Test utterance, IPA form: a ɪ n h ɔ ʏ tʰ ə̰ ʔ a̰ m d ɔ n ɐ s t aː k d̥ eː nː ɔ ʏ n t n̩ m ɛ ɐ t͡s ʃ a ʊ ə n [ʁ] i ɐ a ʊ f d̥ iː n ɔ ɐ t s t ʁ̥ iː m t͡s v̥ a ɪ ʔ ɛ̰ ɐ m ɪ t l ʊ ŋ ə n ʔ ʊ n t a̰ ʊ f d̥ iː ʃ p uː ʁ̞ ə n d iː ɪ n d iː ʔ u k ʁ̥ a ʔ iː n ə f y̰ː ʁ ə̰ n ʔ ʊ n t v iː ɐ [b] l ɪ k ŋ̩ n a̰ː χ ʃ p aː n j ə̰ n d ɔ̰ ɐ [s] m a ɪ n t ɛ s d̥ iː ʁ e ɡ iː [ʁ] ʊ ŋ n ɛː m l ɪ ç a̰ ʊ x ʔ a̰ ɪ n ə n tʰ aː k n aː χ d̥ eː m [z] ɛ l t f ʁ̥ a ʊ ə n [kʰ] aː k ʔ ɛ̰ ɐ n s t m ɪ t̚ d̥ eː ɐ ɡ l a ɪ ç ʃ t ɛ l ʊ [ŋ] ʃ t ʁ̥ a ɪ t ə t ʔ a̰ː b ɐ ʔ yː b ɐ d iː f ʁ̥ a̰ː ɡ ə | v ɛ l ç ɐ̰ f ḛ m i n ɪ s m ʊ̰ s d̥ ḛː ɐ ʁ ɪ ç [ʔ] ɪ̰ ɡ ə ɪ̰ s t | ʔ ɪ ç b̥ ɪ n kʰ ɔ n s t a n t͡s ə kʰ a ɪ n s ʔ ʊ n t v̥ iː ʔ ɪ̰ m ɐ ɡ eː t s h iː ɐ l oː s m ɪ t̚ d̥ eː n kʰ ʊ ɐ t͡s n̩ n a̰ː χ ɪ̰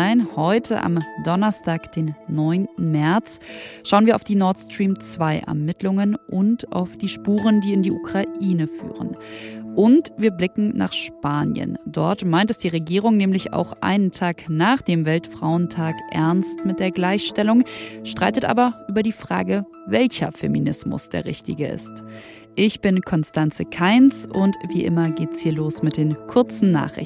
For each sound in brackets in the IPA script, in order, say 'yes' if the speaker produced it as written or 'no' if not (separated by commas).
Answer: no, yes, no, yes, no, no, yes, no